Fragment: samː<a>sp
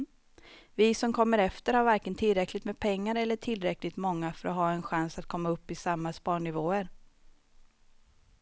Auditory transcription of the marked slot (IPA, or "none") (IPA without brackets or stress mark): a